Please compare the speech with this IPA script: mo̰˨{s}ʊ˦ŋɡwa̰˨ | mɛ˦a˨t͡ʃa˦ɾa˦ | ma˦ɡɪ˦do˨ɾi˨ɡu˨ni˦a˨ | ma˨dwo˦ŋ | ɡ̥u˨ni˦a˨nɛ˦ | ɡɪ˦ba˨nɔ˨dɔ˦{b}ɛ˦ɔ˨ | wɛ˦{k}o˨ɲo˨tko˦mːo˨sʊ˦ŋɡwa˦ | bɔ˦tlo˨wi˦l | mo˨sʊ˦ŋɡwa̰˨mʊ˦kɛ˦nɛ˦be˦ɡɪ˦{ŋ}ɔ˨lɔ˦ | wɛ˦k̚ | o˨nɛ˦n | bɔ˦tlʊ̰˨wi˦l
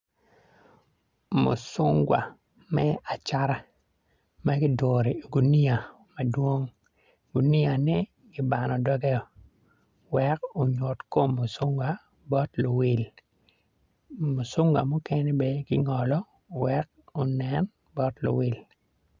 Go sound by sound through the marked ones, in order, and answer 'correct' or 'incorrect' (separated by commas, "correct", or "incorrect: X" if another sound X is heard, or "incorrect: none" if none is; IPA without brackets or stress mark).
correct, incorrect: ɡ, correct, correct